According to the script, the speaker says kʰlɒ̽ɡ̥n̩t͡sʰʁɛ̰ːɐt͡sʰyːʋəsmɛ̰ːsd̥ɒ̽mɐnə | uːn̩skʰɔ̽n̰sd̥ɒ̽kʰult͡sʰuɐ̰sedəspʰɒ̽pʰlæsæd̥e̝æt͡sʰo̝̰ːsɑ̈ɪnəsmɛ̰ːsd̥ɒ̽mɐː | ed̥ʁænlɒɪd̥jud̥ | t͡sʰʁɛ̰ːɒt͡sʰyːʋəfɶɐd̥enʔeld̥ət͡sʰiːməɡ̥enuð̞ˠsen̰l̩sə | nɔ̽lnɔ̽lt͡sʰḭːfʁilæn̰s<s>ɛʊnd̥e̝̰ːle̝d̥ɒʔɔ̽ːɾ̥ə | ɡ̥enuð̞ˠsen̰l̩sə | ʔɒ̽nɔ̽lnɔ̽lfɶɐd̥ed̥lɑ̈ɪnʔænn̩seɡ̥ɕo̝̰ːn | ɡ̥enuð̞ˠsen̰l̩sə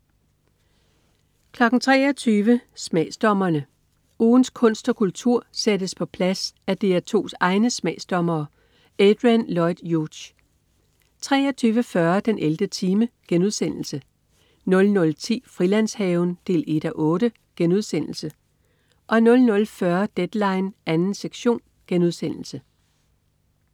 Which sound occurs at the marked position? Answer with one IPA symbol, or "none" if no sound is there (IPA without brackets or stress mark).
h